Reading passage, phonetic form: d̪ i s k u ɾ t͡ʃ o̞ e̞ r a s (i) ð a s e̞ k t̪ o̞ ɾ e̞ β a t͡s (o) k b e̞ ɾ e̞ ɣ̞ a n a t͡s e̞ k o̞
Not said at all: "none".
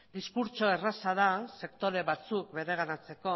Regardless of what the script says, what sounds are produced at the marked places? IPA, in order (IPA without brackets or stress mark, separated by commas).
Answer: a, u